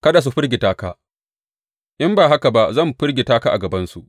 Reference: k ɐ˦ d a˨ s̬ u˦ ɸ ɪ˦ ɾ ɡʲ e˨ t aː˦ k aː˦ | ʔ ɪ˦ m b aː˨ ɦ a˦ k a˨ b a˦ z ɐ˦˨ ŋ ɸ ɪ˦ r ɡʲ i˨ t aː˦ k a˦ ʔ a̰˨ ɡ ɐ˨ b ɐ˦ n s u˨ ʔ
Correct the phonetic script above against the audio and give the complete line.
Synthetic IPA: k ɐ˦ d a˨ s̬ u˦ ɸ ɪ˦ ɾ ɡʲ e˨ t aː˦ k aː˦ | ʔ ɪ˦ m b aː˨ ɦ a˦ k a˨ b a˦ z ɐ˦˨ m ɸ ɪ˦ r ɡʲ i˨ t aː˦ k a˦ ʔ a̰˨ ɡ ɐ˨ b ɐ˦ n s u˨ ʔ